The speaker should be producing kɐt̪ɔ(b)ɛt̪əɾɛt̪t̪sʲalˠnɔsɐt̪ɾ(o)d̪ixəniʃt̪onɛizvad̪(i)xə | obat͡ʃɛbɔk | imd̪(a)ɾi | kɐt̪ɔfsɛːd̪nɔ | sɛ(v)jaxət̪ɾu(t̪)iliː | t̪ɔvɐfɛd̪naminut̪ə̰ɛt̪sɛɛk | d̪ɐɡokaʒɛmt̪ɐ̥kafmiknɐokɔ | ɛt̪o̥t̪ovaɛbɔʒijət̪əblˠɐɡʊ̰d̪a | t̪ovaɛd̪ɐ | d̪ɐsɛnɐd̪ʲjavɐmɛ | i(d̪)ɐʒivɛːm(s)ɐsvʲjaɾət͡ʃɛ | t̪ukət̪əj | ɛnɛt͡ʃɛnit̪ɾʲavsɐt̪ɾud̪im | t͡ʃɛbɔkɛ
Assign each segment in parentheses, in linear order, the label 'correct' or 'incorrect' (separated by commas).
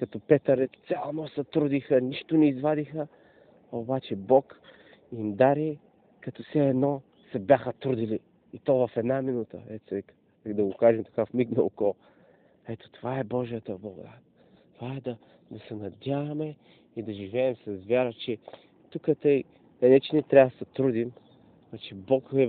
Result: incorrect, incorrect, correct, correct, incorrect, incorrect, correct, correct